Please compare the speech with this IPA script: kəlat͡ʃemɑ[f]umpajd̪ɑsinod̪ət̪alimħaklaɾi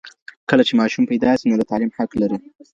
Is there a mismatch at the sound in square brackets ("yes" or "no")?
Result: yes